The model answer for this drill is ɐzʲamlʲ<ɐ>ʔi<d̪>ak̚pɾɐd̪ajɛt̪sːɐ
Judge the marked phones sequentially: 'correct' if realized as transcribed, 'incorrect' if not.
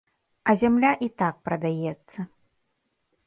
incorrect: a, incorrect: t̪

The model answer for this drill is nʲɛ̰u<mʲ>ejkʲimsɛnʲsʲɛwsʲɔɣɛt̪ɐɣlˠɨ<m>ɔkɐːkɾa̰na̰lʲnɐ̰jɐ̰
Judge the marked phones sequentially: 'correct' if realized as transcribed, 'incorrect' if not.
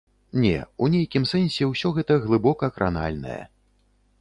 incorrect: nʲ, incorrect: b

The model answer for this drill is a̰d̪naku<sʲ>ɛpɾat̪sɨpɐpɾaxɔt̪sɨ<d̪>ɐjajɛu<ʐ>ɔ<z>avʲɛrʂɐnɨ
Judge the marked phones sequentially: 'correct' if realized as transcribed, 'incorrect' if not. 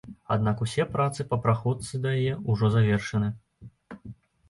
correct, correct, correct, correct

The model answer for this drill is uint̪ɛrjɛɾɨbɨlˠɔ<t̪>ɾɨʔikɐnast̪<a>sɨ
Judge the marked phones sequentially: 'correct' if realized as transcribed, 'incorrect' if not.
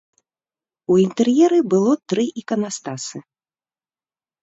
correct, correct

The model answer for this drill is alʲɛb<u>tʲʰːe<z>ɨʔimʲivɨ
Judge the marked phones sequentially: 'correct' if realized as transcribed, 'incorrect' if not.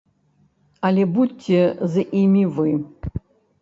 correct, correct

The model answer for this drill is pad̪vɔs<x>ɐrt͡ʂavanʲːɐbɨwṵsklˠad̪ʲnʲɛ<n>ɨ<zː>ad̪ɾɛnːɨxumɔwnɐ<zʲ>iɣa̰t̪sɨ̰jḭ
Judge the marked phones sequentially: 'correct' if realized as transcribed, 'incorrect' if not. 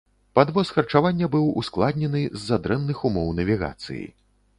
correct, correct, correct, incorrect: vʲ

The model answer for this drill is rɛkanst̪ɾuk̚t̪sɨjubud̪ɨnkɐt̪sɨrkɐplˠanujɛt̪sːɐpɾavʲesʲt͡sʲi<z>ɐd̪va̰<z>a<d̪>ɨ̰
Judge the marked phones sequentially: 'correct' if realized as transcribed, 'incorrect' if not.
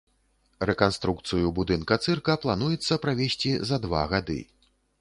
correct, incorrect: ɣ, correct

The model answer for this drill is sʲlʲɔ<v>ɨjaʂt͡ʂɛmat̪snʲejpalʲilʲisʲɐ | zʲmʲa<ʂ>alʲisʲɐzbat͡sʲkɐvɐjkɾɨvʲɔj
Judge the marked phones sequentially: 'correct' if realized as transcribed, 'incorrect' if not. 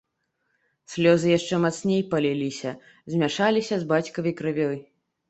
incorrect: z, correct

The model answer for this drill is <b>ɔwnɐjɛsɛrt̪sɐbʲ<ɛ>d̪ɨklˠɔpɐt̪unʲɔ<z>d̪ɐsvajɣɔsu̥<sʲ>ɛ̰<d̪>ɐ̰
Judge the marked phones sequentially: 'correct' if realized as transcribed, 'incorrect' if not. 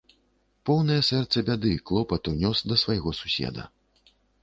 incorrect: p, incorrect: a, incorrect: s, correct, correct

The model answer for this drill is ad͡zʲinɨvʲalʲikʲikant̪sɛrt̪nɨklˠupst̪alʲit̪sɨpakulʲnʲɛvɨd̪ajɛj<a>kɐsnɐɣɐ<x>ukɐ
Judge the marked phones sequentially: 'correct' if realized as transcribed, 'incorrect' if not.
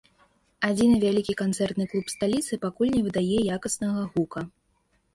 correct, incorrect: ɣ

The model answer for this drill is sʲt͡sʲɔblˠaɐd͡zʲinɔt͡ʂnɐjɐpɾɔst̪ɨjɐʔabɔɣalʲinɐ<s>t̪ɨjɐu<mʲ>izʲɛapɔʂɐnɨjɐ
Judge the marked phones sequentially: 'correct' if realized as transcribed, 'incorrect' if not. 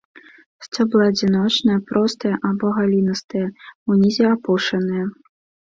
correct, incorrect: nʲ

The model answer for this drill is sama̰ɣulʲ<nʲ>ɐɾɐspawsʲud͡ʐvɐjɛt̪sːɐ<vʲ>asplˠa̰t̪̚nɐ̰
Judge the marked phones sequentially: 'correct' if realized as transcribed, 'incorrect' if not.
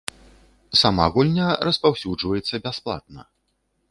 correct, incorrect: bʲ

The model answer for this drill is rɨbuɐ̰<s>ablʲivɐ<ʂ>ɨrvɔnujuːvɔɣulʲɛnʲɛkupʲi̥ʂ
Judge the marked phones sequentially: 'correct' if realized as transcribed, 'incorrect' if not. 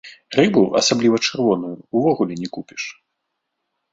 correct, incorrect: t͡ʂ

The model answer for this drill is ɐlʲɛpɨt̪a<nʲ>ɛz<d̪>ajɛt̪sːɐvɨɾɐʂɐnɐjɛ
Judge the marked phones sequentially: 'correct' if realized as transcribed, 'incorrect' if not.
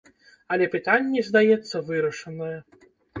incorrect: nʲː, correct

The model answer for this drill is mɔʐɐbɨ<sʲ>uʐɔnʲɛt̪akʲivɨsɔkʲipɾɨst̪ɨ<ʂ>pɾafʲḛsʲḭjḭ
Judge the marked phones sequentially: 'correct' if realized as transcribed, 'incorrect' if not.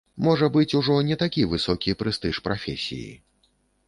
incorrect: t͡sʲ, correct

